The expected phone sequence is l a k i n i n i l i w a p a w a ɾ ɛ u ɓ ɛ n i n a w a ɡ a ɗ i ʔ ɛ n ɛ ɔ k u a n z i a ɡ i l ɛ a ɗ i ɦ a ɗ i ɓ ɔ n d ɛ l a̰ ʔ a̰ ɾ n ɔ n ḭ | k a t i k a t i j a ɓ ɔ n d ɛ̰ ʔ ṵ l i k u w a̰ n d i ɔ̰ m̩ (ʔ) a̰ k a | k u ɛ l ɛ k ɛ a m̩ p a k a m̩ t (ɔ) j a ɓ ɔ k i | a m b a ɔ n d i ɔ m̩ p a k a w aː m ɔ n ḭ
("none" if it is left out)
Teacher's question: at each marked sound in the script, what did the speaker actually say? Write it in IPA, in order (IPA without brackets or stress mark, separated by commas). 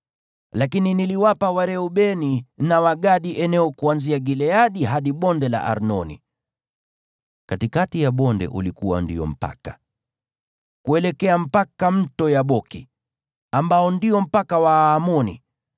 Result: p, ɔ